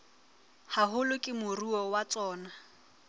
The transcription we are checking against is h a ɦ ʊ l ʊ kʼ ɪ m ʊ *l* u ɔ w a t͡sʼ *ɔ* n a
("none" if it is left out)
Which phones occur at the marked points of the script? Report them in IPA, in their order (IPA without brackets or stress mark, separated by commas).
r, ɔː